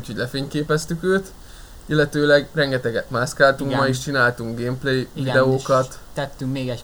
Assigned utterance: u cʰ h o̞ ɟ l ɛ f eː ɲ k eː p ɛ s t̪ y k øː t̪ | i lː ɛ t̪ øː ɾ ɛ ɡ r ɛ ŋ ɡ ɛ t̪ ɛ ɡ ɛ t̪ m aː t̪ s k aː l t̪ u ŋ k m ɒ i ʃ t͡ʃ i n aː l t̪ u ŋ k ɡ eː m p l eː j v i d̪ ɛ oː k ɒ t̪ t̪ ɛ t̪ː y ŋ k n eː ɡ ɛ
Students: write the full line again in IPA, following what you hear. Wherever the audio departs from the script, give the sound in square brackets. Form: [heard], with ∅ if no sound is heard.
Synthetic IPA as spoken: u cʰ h o̞ ɟ l ɛ f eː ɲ k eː p ɛ s t̪ y k øː t̪ | i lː ɛ t̪ øː [l] ɛ ɡ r ɛ ŋ ɡ ɛ t̪ ɛ ɡ ɛ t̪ m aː [∅] s k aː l t̪ u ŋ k m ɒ i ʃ t͡ʃ i n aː l t̪ u ŋ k ɡ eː m p l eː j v i d̪ ɛ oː k ɒ t̪ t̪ ɛ t̪ː y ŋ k [m] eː ɡ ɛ